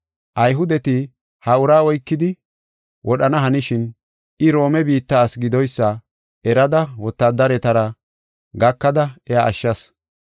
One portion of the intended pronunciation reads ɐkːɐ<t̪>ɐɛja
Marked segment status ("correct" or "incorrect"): incorrect